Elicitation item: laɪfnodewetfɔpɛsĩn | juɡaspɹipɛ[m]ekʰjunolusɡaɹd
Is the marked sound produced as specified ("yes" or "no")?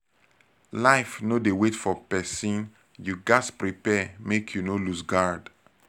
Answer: yes